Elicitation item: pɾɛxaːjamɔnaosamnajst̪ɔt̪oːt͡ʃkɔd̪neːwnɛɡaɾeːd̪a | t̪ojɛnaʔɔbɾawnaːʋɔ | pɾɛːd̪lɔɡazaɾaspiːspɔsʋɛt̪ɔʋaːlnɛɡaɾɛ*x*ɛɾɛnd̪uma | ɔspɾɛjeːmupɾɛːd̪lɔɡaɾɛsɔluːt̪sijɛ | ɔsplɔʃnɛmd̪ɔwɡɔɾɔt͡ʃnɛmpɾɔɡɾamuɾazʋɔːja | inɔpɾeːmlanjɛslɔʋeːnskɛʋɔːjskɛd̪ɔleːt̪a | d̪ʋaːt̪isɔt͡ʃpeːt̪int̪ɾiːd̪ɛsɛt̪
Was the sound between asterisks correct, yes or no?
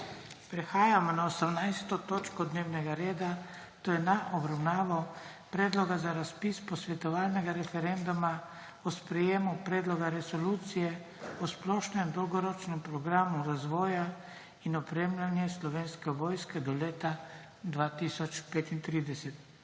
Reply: no